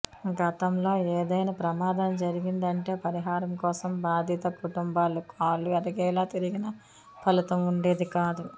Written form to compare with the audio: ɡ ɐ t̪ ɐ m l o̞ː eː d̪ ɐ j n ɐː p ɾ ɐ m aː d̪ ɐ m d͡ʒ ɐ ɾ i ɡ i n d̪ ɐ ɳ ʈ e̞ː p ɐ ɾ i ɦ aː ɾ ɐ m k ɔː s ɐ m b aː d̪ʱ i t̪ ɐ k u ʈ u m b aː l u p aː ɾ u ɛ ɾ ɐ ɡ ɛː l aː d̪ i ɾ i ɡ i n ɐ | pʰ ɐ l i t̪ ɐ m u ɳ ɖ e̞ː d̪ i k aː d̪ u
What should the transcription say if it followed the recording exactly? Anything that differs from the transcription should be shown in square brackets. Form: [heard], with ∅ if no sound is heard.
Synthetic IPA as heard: ɡ ɐ t̪ ɐ m l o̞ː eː d̪ ɐ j n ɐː p ɾ ɐ m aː d̪ ɐ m d͡ʒ ɐ ɾ i ɡ i n d̪ ɐ ɳ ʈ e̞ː p ɐ ɾ i ɦ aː ɾ ɐ m k ɔː s ɐ m b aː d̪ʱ i t̪ ɐ k u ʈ u m b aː l u [k] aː [l] u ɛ ɾ ɐ ɡ ɛː l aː [t̪] i ɾ i ɡ i n ɐ | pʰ ɐ l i t̪ ɐ m u ɳ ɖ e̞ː d̪ i k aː d̪ u

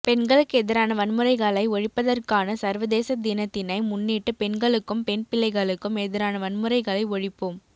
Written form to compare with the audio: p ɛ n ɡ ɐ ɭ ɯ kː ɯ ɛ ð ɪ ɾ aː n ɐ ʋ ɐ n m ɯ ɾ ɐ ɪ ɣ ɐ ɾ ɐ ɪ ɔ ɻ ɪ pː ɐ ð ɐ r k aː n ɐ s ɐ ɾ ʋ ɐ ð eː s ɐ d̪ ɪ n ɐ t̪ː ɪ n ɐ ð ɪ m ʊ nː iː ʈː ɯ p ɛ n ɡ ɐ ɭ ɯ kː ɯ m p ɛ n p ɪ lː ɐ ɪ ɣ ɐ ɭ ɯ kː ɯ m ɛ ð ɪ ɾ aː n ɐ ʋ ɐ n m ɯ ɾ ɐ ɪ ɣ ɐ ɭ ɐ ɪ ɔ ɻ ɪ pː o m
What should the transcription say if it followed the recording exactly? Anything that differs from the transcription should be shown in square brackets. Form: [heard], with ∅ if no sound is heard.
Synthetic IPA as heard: p ɛ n ɡ ɐ ɭ ɯ kː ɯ ɛ ð ɪ ɾ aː n ɐ ʋ ɐ n m ɯ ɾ ɐ ɪ ɣ ɐ [ɭ] ɐ ɪ ɔ ɻ ɪ pː ɐ ð ɐ r k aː n ɐ s ɐ ɾ ʋ ɐ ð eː s ɐ d̪ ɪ n ɐ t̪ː ɪ n ɐ [∅] ɪ m ʊ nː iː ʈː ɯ p ɛ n ɡ ɐ ɭ ɯ kː ɯ m p ɛ n p ɪ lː ɐ ɪ ɣ ɐ ɭ ɯ kː ɯ m ɛ ð ɪ ɾ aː n ɐ ʋ ɐ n m ɯ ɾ ɐ ɪ ɣ ɐ ɭ ɐ ɪ ɔ ɻ ɪ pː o m

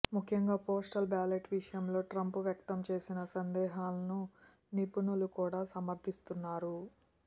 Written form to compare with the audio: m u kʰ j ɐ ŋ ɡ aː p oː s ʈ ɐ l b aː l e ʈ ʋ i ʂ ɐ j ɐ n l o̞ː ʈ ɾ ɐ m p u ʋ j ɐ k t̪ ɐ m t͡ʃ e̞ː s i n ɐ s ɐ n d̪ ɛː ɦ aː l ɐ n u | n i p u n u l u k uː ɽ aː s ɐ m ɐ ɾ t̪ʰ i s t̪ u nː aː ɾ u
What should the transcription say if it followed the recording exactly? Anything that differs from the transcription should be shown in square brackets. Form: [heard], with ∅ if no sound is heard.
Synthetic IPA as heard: m u kʰ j ɐ ŋ ɡ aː p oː s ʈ ɐ l b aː l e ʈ ʋ i ʂ ɐ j ɐ [m] l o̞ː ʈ ɾ ɐ m p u ʋ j ɐ k t̪ ɐ m t͡ʃ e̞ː s i n ɐ s ɐ n d̪ ɛː ɦ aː l ɐ n u | n i p u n u l u k uː ɽ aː s ɐ m ɐ ɾ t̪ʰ i s t̪ u nː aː ɾ u

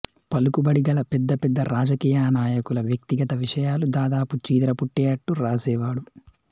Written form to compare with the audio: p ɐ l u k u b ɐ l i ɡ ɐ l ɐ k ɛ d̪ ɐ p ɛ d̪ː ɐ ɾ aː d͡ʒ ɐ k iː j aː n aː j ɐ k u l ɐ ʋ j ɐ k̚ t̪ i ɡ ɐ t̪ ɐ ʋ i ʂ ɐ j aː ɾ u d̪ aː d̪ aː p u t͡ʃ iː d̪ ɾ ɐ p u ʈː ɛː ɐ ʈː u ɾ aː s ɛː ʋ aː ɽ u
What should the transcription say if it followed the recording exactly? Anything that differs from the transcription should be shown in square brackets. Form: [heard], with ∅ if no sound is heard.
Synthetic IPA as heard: p ɐ l u k u b ɐ [ɽ] i ɡ ɐ l ɐ [p] ɛ [d̪ː] ɐ p ɛ d̪ː ɐ ɾ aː d͡ʒ ɐ k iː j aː n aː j ɐ k u l ɐ ʋ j ɐ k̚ t̪ i ɡ ɐ t̪ ɐ ʋ i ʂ ɐ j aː [l] u d̪ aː d̪ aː p u t͡ʃ iː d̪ ɾ ɐ p u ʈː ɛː ɐ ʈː u ɾ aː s ɛː ʋ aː ɽ u

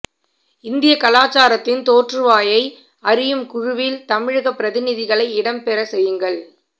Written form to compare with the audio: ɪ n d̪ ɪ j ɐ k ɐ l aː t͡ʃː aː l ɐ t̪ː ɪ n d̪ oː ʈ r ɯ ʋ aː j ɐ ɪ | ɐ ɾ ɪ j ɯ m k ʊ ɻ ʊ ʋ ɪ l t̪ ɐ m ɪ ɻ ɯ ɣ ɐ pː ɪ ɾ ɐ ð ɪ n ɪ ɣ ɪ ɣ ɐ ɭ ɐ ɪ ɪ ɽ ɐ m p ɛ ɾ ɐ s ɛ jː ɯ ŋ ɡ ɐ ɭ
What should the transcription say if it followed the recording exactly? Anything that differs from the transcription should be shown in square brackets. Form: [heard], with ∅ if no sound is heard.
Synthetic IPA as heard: ɪ n d̪ ɪ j ɐ k ɐ l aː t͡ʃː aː [ɾ] ɐ t̪ː ɪ n [t̪] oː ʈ r ɯ ʋ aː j ɐ ɪ | ɐ ɾ ɪ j ɯ m k ʊ ɻ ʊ ʋ ɪ l t̪ ɐ m ɪ ɻ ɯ ɣ ɐ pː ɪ ɾ ɐ ð ɪ n ɪ [ð] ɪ ɣ ɐ ɭ ɐ ɪ ɪ ɽ ɐ m p ɛ ɾ ɐ s ɛ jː ɯ ŋ ɡ ɐ ɭ

